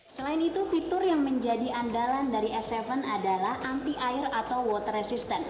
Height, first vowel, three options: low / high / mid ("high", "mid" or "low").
mid